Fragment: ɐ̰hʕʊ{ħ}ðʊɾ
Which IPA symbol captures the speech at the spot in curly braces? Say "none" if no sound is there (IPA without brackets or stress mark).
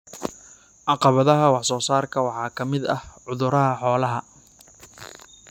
none